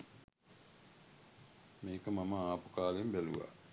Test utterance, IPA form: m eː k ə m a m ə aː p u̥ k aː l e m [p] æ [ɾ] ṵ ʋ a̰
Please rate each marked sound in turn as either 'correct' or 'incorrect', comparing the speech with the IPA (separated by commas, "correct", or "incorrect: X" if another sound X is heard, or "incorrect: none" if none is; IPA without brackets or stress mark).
incorrect: b, incorrect: l